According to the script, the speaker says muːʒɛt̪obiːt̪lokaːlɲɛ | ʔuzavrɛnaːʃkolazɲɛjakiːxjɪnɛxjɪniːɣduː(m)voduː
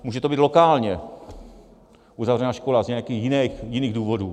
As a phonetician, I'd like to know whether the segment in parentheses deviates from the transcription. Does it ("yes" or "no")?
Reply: yes